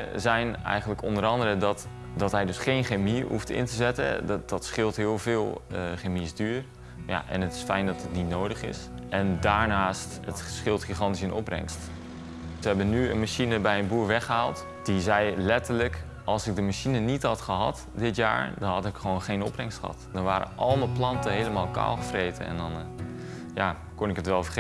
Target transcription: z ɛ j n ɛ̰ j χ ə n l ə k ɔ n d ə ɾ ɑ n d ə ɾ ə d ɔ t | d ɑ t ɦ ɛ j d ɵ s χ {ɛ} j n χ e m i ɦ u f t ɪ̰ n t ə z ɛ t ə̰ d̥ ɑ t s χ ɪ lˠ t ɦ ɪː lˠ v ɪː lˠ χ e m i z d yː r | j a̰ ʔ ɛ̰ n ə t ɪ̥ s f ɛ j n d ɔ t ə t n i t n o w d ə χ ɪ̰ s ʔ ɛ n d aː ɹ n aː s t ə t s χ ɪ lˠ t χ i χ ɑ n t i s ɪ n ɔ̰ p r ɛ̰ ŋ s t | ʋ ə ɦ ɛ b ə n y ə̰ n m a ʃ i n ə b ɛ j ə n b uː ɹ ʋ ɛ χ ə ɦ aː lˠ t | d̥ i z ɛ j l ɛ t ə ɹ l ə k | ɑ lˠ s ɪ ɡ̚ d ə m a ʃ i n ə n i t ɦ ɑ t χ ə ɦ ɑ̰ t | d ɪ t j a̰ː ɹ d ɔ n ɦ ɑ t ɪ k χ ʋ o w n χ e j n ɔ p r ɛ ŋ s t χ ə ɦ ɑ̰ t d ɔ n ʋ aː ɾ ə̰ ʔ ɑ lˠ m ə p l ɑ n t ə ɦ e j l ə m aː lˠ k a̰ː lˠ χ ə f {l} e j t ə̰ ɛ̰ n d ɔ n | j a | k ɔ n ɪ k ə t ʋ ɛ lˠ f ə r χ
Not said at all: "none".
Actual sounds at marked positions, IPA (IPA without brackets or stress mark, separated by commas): e, r